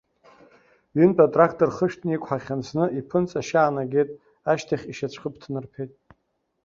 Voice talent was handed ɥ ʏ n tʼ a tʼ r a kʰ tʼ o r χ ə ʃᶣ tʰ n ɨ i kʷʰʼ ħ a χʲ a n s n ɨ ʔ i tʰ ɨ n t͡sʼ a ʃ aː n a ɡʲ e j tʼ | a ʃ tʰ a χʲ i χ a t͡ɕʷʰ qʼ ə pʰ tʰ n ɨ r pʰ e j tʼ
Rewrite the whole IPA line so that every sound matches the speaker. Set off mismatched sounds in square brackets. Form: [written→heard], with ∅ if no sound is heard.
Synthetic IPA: ɥ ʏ n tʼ a tʼ r a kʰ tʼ o r χ ə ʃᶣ tʰ n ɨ i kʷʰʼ ħ a χʲ a n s n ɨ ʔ i [tʰ→pʰ] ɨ n t͡sʼ a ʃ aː n a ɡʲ e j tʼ | a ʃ tʰ a χʲ i [χ→ʃ] a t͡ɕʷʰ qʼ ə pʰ tʰ n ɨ r pʰ e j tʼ